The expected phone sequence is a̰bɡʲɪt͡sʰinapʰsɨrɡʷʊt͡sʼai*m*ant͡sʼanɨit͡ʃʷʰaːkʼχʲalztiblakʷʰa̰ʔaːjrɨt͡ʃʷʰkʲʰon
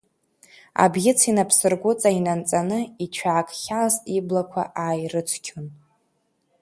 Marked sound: incorrect: n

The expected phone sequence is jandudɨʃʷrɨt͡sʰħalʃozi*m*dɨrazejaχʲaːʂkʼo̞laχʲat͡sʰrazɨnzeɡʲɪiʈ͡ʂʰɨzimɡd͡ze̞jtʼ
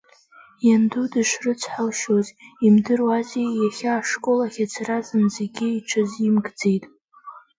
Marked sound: correct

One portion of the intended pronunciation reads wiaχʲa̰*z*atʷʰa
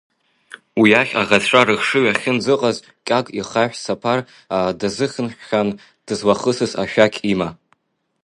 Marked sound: incorrect: ʁ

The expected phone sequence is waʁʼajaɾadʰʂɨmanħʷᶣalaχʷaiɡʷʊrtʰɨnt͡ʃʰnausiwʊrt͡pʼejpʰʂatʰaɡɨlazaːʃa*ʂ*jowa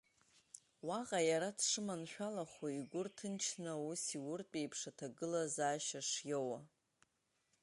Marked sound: correct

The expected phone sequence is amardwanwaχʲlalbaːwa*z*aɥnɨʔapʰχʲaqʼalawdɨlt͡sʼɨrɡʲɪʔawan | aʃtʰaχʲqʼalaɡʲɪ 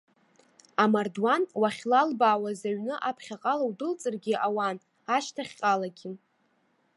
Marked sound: correct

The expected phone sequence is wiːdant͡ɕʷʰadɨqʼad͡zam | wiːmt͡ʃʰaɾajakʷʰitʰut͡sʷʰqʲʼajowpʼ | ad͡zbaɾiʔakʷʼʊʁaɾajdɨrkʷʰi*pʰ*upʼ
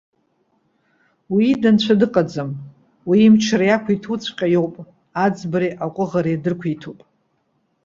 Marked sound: incorrect: tʰ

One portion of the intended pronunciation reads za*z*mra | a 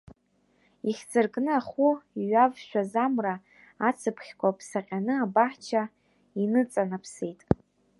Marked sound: incorrect: none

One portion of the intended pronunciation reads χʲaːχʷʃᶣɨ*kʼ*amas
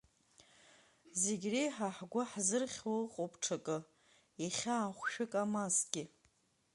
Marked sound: correct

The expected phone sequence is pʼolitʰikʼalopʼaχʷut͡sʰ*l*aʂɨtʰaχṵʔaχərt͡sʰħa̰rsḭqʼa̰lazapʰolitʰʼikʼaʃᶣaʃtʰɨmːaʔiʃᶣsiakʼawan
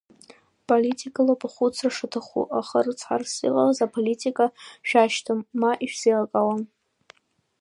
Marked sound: incorrect: r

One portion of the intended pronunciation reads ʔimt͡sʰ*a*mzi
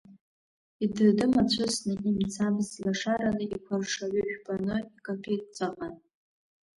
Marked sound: correct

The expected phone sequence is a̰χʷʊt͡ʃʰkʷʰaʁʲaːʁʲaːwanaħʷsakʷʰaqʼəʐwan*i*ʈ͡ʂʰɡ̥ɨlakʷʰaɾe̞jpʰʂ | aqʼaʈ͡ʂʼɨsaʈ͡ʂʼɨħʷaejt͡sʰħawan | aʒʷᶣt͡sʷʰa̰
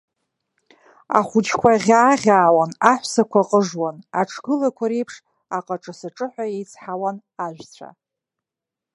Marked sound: incorrect: a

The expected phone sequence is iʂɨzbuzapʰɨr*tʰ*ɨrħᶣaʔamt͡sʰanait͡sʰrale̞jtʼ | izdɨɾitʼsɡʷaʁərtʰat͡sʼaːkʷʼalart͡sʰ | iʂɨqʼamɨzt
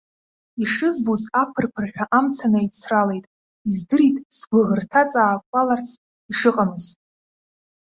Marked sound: incorrect: pʰ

